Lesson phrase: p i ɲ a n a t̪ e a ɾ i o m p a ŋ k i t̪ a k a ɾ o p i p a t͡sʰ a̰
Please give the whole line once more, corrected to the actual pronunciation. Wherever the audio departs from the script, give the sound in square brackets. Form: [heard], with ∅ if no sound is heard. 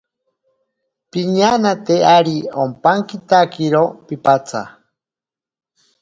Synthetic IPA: p i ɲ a n a t̪ e a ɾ i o m p a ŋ k i t̪ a k [i] ɾ o p i p a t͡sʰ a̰